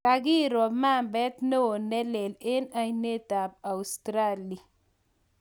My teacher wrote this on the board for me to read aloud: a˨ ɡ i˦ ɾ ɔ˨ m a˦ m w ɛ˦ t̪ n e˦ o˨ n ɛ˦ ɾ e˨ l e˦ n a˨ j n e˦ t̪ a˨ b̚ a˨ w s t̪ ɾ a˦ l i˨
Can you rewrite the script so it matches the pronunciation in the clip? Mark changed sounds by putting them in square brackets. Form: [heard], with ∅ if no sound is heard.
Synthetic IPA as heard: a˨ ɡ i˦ ɾ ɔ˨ m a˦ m [b] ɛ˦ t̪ n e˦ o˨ n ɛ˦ [l] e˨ l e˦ n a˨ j n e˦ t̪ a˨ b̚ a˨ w s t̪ ɾ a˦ l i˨